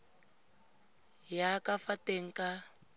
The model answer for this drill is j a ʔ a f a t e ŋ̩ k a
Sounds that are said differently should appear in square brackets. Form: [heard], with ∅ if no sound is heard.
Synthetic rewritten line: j a [k] a f a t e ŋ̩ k a